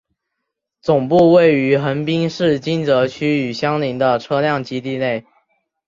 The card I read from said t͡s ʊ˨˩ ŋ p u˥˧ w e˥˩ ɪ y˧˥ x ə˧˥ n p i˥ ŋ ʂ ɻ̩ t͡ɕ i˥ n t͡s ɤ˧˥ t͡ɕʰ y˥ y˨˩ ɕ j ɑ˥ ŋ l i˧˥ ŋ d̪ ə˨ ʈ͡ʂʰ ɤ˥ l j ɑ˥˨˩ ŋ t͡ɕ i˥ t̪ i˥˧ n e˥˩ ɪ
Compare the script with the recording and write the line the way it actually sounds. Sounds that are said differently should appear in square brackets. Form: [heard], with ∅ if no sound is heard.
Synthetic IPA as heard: t͡s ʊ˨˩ ŋ p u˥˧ w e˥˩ ɪ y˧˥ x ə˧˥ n p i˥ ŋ ʂ ɻ̩ t͡ɕ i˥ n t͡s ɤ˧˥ t͡ɕʰ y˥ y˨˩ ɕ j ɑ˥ ŋ l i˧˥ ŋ d̪ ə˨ ʈ͡ʂʰ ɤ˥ l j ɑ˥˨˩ ŋ t͡ɕ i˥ t̪ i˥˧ n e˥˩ ɪ